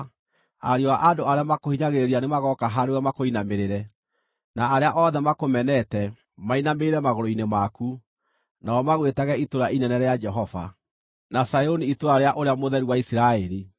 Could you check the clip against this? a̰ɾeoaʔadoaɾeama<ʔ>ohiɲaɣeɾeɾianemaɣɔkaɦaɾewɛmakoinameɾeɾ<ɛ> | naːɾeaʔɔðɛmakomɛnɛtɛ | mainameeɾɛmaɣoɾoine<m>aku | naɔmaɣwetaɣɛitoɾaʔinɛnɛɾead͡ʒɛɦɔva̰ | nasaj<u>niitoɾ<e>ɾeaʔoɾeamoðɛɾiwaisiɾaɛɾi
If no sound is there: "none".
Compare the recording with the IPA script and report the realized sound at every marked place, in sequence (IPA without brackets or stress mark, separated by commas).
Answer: k, ɛ, m, o, a